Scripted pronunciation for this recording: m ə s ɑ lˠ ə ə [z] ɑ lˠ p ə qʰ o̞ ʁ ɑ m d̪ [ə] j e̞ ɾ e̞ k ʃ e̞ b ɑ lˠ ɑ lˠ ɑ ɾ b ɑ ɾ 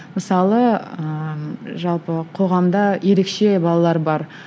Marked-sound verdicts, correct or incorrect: incorrect, incorrect

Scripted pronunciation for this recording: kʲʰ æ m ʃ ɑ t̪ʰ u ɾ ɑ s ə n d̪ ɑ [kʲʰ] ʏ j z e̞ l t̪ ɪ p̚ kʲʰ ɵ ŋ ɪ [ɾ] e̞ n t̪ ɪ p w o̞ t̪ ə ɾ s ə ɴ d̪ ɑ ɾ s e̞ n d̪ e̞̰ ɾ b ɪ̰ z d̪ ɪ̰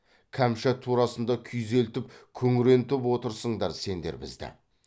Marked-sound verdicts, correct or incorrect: correct, correct

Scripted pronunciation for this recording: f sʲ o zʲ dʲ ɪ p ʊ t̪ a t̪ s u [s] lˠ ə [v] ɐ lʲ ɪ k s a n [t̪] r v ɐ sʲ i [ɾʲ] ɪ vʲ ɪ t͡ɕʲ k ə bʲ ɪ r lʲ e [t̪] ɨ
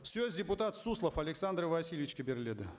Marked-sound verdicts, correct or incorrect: correct, incorrect, incorrect, incorrect, incorrect

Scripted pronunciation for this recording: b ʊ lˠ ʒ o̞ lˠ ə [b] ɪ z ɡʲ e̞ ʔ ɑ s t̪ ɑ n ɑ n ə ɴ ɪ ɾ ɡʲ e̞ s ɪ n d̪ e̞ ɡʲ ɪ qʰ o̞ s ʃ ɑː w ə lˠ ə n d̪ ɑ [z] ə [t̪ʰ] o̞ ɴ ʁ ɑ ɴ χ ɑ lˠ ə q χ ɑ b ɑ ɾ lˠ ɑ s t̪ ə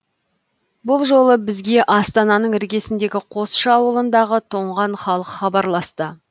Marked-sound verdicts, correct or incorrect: correct, incorrect, correct

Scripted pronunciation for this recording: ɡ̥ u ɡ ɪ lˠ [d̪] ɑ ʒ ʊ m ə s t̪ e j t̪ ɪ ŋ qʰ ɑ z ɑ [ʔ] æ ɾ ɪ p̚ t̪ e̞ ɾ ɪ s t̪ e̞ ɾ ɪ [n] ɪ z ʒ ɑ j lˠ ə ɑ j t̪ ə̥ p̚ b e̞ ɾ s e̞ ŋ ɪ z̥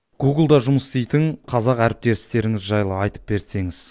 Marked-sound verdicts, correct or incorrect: correct, incorrect, incorrect

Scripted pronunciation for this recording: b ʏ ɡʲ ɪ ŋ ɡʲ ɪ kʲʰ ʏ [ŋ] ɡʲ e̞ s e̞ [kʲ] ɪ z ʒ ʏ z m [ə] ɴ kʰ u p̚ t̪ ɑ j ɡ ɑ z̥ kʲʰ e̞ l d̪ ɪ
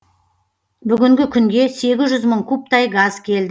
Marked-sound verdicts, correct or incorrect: correct, incorrect, correct

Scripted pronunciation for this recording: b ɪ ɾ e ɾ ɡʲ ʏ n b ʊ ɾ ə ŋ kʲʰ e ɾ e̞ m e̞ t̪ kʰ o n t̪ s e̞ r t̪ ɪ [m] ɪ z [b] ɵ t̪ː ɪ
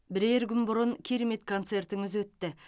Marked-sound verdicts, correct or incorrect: incorrect, incorrect

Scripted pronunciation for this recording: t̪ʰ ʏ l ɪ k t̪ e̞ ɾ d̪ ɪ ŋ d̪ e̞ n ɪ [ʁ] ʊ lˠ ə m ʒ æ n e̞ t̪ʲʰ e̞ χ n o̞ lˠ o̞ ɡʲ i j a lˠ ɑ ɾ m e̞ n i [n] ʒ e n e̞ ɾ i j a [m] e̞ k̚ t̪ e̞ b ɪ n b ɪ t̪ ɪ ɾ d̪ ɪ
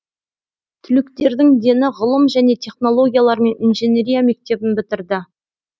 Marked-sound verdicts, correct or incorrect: correct, correct, correct

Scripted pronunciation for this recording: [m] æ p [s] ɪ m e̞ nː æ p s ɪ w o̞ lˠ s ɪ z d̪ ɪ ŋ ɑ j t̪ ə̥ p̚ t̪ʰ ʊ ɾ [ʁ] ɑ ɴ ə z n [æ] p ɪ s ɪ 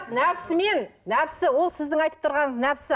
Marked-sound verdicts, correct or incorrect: incorrect, correct, correct, correct

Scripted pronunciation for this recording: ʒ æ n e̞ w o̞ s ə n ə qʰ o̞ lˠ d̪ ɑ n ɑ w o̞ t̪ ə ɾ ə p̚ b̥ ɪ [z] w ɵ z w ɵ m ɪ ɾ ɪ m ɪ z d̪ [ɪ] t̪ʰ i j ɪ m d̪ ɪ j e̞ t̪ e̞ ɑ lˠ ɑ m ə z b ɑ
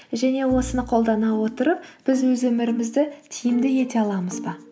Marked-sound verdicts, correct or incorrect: correct, correct

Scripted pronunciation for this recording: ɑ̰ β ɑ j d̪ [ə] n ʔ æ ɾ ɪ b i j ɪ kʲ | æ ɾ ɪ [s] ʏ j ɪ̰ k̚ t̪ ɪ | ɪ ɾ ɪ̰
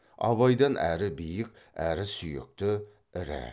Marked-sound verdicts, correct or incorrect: incorrect, correct

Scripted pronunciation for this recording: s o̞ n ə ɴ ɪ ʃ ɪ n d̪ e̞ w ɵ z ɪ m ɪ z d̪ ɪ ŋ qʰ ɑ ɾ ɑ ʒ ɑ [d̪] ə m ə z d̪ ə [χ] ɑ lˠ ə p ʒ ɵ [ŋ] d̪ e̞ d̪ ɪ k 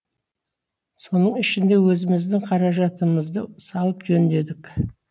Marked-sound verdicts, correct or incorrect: incorrect, incorrect, incorrect

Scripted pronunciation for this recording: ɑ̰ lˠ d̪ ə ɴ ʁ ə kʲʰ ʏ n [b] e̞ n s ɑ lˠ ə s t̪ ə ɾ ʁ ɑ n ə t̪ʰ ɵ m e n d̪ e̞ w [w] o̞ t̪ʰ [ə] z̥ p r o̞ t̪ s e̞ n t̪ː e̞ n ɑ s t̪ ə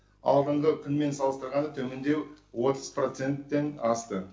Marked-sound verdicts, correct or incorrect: incorrect, correct, correct

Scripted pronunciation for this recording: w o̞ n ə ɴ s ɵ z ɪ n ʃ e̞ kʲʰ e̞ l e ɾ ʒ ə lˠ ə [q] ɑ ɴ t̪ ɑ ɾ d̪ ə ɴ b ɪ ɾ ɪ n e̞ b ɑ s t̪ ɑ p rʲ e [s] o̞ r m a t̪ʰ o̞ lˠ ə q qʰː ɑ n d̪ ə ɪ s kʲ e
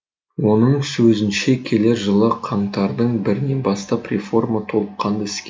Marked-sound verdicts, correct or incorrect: incorrect, incorrect

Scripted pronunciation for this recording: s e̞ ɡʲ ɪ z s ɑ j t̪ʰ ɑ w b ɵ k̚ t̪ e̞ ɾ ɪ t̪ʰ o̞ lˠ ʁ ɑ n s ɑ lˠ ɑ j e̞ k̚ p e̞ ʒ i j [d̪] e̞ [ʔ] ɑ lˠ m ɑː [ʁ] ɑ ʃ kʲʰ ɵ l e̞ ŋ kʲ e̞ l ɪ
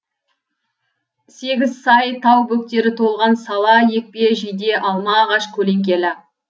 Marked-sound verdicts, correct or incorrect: correct, correct, correct

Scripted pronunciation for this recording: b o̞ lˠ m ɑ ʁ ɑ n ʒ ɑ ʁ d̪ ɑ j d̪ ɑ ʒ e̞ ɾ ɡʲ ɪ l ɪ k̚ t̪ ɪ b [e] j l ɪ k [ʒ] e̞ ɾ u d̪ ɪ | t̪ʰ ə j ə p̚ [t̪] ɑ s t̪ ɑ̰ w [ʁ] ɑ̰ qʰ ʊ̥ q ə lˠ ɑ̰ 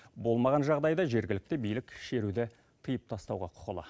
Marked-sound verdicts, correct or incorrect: incorrect, incorrect, incorrect, correct

